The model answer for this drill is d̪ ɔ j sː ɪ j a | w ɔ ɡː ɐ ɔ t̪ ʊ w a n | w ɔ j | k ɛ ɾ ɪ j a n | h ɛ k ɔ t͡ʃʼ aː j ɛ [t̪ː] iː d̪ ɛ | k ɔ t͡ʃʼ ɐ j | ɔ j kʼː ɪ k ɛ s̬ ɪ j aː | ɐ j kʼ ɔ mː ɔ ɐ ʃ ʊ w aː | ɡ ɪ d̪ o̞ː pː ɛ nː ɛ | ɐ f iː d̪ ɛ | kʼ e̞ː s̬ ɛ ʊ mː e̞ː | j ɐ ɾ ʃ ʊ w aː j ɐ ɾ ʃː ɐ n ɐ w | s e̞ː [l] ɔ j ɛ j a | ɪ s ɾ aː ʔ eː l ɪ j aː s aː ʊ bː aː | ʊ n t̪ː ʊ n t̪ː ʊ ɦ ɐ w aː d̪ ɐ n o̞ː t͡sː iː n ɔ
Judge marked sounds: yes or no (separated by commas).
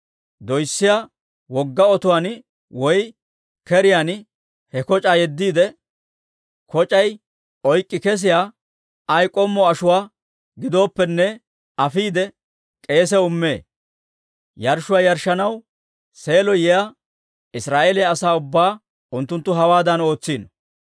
no, yes